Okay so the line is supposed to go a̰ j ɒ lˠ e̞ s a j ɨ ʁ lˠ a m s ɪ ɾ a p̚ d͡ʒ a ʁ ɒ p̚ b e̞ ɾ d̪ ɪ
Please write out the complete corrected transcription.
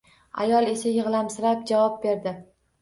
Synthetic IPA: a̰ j ɒ lˠ e̞ s a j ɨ ʁ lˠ a m s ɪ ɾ a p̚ d͡ʒ a v ɒ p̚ b e̞ ɾ d̪ ɪ